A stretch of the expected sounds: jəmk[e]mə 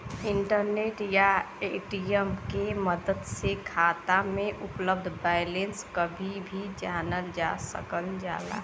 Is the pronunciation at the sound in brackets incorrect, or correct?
correct